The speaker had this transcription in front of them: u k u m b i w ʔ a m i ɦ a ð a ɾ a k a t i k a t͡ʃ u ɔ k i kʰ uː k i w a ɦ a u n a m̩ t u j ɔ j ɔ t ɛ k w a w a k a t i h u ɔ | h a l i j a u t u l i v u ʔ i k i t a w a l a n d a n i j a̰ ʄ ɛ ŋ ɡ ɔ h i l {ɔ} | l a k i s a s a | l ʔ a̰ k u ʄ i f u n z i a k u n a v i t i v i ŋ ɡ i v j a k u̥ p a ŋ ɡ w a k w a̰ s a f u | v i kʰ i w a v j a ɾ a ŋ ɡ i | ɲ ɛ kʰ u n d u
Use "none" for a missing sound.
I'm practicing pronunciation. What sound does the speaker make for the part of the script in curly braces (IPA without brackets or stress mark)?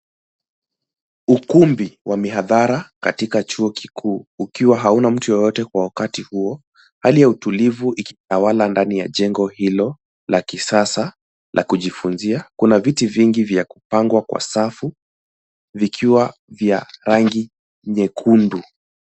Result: ɔ